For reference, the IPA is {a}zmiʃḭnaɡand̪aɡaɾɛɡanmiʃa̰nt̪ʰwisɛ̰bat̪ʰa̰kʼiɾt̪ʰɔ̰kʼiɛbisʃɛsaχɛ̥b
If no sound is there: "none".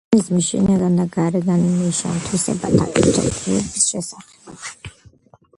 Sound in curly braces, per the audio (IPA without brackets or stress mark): i